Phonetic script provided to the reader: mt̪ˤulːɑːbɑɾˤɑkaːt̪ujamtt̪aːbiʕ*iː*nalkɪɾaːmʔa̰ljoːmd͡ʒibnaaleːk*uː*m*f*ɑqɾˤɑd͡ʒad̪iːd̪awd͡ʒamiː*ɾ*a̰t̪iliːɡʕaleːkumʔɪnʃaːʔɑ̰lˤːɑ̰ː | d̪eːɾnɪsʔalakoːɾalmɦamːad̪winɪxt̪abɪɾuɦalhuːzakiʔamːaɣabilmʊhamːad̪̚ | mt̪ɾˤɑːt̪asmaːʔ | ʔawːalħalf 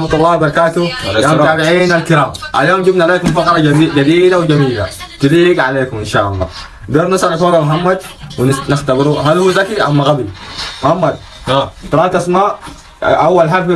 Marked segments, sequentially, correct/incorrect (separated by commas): correct, incorrect, correct, incorrect